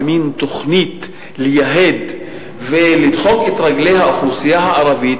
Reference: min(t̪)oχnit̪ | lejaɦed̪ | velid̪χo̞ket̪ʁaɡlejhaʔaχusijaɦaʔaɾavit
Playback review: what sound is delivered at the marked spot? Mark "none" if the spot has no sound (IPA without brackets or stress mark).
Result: t̪